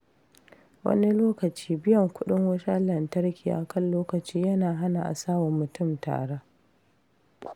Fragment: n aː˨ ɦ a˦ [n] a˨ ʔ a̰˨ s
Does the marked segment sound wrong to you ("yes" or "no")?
no